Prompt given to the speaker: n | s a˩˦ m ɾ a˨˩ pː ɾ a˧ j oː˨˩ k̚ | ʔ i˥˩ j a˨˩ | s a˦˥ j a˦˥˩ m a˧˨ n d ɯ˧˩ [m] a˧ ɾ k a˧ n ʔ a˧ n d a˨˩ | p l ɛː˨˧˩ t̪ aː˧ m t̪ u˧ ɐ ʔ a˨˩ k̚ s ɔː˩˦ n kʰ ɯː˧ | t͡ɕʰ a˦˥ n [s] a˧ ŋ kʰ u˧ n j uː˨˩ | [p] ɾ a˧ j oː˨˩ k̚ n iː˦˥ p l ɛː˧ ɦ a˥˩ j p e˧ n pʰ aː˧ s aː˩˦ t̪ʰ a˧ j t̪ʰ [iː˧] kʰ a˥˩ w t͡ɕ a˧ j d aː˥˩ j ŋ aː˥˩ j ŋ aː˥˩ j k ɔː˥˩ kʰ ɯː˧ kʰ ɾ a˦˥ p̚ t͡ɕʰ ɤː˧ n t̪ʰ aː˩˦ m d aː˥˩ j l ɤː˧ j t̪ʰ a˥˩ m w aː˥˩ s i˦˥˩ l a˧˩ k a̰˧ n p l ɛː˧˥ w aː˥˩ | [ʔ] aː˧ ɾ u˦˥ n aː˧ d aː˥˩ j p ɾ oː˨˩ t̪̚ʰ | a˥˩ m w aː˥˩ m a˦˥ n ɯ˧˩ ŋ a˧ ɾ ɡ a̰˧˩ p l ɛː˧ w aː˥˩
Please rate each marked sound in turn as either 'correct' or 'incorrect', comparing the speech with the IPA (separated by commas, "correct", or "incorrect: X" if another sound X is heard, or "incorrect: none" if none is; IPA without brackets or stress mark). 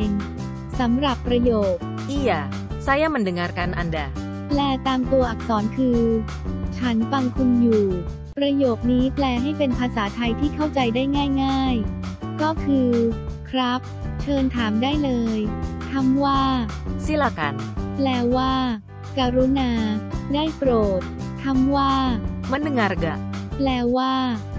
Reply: incorrect: ŋ, incorrect: f, correct, incorrect: iː˥˩, incorrect: k